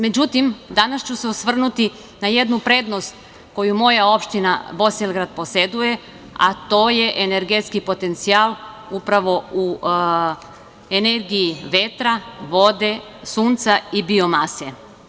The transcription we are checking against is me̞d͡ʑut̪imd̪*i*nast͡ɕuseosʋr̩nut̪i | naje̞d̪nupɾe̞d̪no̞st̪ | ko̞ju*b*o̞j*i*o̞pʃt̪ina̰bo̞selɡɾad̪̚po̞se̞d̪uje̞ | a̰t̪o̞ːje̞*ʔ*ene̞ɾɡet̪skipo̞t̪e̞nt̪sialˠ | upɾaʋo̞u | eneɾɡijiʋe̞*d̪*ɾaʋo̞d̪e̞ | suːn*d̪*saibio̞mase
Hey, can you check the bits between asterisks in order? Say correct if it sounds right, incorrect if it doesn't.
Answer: incorrect, incorrect, incorrect, correct, incorrect, incorrect

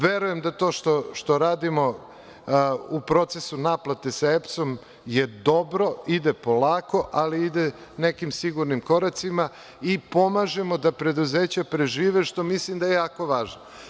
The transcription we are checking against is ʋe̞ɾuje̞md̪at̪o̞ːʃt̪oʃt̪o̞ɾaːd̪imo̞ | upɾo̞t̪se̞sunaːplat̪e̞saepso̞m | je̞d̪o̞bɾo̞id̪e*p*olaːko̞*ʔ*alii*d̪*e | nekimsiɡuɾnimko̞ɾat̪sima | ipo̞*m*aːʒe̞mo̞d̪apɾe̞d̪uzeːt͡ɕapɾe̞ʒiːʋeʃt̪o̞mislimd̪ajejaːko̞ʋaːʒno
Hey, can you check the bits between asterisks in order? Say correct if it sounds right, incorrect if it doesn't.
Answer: correct, correct, correct, correct

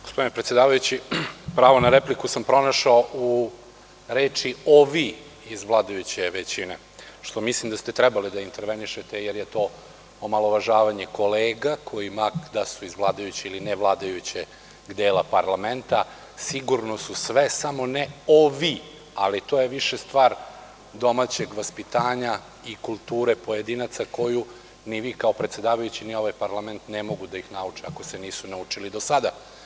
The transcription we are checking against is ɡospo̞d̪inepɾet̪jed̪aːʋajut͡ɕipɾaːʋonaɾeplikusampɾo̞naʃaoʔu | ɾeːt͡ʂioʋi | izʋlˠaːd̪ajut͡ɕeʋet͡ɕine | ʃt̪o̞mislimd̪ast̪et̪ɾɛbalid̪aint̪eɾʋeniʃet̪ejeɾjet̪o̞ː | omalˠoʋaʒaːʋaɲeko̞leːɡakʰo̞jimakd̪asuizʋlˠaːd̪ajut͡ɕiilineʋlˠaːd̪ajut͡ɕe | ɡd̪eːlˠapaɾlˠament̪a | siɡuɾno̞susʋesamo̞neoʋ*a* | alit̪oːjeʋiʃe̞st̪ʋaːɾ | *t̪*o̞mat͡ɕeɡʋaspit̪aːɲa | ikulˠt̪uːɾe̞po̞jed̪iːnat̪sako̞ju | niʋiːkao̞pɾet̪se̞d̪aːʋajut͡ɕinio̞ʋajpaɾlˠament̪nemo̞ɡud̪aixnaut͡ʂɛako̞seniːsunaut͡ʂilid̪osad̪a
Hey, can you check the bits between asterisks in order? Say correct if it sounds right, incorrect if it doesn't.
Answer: incorrect, incorrect

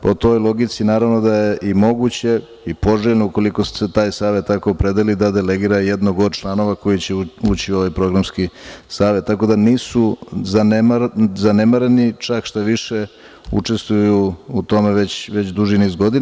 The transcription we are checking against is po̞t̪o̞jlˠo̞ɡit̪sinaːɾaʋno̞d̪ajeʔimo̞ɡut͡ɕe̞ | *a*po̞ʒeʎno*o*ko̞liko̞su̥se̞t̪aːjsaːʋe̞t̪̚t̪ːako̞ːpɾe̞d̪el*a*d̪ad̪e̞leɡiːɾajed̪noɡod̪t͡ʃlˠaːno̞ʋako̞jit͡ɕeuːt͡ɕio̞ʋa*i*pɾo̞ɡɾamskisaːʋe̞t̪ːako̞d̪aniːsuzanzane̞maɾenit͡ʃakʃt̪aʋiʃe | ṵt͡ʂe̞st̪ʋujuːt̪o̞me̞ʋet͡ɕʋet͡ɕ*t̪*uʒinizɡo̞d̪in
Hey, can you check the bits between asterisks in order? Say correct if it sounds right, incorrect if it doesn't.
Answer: incorrect, incorrect, incorrect, incorrect, incorrect

